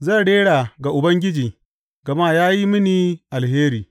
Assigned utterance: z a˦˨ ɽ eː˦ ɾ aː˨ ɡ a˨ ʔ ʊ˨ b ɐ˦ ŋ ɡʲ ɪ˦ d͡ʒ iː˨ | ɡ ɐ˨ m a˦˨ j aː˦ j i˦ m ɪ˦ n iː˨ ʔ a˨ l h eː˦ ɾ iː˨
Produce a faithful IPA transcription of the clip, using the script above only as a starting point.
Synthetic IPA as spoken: z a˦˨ ɽ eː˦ ɽ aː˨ ɡ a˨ ʔ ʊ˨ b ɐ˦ ŋ ɡʲ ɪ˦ d͡ʒ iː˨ | ɡ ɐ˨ m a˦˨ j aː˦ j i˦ m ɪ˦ n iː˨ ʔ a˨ l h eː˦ ɾ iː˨